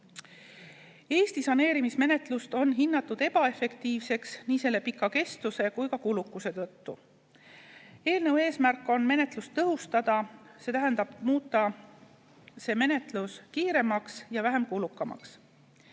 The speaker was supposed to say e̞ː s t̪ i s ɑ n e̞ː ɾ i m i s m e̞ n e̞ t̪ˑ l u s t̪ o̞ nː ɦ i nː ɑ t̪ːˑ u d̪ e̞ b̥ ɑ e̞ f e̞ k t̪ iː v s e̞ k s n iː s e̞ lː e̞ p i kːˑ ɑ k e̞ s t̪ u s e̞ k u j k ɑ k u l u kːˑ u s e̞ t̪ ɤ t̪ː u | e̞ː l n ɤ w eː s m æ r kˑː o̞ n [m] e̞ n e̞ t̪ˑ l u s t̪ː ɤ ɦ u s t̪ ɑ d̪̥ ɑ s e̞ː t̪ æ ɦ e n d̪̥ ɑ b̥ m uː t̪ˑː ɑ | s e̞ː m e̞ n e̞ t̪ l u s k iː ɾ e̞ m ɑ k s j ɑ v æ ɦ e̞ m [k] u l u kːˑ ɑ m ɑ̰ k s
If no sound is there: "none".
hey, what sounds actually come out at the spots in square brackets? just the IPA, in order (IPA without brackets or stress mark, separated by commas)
m, k